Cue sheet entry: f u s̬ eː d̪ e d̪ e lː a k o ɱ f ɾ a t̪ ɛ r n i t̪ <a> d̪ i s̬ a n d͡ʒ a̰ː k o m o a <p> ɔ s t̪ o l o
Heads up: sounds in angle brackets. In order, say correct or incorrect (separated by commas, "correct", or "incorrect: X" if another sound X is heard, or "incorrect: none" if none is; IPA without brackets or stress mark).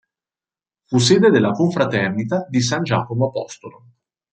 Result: correct, correct